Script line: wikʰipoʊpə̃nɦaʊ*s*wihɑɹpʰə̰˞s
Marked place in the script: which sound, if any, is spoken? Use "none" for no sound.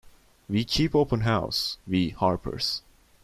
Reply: s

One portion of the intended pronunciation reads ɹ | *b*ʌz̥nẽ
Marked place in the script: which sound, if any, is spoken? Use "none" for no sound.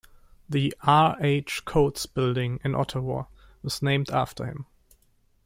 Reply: w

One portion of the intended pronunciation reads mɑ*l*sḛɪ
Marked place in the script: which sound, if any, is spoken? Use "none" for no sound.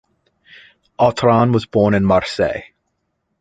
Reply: ɹ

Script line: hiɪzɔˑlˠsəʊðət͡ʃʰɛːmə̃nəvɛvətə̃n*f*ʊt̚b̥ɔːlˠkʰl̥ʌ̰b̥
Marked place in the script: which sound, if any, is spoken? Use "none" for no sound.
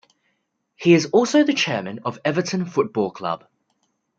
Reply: f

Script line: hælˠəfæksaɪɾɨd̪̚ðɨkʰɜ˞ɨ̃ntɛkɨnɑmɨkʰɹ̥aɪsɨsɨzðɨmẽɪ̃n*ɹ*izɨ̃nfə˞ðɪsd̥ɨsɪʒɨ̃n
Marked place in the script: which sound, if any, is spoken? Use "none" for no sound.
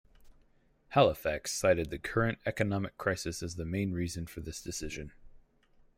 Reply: ɹ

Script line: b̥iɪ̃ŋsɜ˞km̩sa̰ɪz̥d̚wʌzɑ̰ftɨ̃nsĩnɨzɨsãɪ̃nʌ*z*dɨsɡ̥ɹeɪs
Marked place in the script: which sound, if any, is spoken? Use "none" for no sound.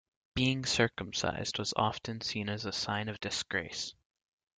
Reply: v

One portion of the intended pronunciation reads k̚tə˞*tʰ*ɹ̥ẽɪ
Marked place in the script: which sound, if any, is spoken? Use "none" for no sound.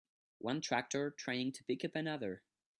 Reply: tʰ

